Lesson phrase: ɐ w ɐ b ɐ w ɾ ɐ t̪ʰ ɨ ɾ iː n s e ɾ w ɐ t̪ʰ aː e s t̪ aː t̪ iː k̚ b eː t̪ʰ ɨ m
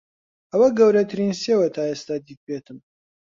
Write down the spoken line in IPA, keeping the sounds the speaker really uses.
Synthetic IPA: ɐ w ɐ ɡ ɐ w ɾ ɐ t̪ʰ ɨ ɾ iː n s e w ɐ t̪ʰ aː e s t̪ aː d̪ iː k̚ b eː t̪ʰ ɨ m